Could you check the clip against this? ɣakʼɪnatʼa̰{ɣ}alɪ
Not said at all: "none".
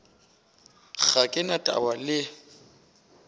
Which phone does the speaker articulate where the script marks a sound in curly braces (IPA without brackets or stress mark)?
w